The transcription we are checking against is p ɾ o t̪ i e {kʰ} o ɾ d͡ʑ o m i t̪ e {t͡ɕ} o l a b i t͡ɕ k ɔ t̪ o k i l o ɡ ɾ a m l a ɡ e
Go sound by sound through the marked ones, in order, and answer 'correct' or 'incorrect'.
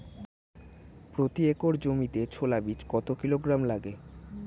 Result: incorrect, incorrect

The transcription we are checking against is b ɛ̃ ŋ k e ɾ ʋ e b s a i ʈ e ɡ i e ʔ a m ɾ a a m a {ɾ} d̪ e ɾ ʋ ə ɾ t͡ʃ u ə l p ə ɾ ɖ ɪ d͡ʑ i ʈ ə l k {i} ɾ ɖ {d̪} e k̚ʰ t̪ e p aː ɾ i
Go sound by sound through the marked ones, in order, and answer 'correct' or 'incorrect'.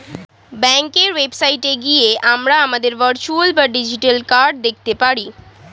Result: incorrect, incorrect, correct

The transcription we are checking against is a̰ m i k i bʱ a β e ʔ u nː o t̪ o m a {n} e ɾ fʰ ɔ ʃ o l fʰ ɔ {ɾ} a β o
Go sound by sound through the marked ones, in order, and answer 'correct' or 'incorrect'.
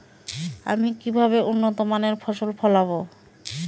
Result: correct, incorrect

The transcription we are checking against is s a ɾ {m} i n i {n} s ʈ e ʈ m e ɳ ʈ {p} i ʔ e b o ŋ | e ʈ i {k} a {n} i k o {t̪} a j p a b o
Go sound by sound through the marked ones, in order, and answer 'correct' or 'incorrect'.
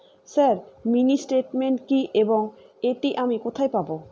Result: correct, incorrect, incorrect, incorrect, incorrect, incorrect

